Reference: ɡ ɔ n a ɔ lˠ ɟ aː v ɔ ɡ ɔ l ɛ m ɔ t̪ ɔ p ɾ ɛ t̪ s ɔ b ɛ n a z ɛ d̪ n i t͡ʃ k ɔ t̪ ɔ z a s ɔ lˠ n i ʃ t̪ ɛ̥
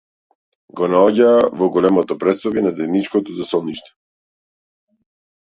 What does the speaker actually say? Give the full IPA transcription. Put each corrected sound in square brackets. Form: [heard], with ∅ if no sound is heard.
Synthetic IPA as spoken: ɡ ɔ n a ɔ [∅] ɟ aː v ɔ ɡ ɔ l ɛ m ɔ t̪ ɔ p ɾ ɛ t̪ s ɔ b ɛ n a z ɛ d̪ n i t͡ʃ k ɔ t̪ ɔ z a s ɔ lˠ n i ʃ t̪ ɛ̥